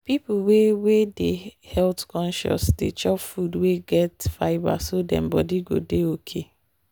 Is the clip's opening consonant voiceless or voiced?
voiceless